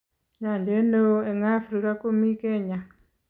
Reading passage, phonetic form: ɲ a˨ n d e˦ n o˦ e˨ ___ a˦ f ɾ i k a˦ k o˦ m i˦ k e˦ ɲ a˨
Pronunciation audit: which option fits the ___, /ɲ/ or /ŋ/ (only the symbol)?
ŋ